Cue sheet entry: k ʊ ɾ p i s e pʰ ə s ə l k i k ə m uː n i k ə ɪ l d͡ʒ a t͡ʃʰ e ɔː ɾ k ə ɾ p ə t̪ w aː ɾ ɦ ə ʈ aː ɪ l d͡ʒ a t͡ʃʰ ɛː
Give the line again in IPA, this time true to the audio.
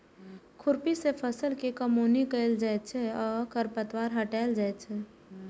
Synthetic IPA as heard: kʰ ʊ ɾ p i s e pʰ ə s ə l k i k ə m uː n i k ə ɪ l d͡ʒ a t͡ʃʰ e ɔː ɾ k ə ɾ p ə t̪ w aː ɾ ɦ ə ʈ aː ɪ l d͡ʒ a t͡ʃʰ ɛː